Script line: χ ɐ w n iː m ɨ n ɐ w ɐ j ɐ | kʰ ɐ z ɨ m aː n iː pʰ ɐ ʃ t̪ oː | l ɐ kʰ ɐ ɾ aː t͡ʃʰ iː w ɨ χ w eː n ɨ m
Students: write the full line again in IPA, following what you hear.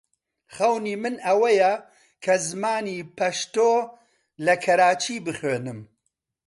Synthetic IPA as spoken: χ ɐ w n iː m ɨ n ɐ w ɐ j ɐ | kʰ ɐ z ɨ m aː n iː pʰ ɐ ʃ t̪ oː | l ɐ kʰ ɐ ɾ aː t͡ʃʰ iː b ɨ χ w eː n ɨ m